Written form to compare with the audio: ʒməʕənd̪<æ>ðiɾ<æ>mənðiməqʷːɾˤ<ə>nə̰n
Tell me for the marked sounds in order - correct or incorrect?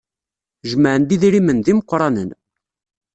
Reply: incorrect, incorrect, incorrect

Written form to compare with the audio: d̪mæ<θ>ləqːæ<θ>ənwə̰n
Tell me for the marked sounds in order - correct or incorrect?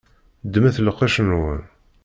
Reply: correct, incorrect

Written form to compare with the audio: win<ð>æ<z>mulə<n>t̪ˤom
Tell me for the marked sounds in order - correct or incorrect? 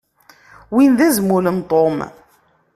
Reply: correct, correct, correct

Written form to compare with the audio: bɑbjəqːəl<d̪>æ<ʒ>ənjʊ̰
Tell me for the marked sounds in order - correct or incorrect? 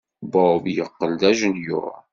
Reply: correct, correct

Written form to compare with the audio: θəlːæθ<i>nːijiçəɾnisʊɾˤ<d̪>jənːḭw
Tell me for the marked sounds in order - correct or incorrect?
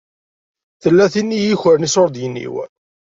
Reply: correct, correct

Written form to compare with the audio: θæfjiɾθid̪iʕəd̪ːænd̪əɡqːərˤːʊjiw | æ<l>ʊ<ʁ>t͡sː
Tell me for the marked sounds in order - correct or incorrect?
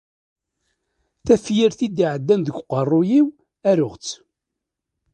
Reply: incorrect, correct

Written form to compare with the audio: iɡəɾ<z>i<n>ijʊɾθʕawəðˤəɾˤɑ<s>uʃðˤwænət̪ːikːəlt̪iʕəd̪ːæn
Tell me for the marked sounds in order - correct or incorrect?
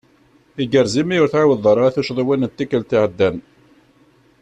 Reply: correct, incorrect, incorrect

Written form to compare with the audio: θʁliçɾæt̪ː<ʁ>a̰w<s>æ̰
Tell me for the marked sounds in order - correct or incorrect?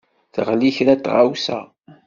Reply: correct, correct

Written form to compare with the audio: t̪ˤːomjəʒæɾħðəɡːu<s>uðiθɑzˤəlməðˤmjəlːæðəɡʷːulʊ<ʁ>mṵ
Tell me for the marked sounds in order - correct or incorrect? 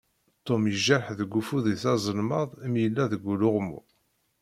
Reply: incorrect, correct

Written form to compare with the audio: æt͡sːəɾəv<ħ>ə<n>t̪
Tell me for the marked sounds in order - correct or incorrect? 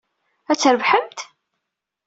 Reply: correct, incorrect

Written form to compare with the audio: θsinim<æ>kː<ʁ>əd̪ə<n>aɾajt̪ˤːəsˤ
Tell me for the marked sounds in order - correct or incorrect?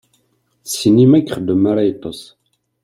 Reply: correct, incorrect, incorrect

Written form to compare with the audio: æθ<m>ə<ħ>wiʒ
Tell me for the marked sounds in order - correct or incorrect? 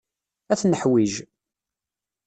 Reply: incorrect, correct

